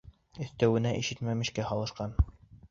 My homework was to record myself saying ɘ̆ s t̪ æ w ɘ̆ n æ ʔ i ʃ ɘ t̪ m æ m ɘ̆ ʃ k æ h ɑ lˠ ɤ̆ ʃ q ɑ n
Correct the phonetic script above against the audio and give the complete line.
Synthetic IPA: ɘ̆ θ t̪ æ w ɘ̆ n æ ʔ i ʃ ɘ t̪ m æ m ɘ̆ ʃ k æ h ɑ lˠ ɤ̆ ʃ q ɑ n